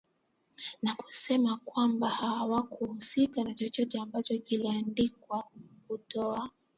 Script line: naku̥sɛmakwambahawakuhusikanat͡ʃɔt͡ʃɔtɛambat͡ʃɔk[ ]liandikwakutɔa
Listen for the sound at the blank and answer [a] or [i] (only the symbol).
i